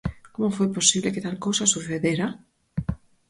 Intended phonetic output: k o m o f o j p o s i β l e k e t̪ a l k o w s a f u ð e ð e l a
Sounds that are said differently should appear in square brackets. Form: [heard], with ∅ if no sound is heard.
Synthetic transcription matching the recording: k o m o f o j p o s i β l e k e t̪ a l k o w s a [s] u [θ] e ð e [ɾ] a